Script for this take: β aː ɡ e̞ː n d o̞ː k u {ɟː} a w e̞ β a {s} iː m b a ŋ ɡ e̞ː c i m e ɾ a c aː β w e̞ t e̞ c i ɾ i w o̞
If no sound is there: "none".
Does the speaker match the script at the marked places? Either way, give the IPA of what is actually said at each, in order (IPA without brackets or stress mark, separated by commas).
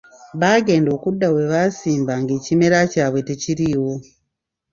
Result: dː, s